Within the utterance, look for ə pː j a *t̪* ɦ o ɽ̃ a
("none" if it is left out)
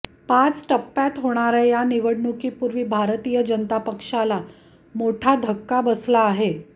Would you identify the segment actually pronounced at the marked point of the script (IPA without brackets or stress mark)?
t̪